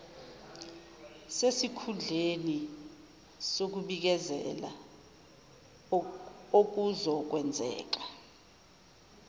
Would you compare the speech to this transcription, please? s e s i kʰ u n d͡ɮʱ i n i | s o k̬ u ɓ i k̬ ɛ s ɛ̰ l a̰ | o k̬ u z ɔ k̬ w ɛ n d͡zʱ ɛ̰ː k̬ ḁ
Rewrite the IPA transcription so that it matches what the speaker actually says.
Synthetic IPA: s e s i kʰ u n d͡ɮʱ e n i | s o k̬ u ɓ i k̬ ɛ z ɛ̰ l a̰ | o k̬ u z ɔ k̬ w ɛ n d͡zʱ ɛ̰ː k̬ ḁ